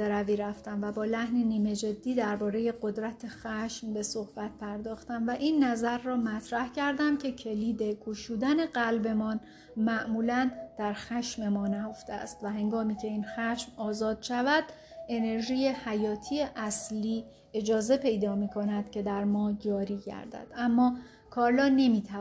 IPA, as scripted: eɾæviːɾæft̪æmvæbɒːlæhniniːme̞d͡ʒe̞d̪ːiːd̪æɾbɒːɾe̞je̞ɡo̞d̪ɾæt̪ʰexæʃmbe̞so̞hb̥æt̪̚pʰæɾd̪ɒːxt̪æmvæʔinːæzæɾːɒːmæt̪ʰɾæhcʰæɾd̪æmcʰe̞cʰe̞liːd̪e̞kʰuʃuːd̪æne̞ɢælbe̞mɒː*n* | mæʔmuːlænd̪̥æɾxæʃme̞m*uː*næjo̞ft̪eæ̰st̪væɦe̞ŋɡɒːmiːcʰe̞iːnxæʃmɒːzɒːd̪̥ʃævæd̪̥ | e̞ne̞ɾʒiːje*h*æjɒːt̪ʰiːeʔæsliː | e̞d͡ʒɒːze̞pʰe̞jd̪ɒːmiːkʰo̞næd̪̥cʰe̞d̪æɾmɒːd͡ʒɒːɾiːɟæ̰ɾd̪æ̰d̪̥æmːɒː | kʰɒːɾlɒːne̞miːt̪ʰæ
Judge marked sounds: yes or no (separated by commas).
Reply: yes, no, yes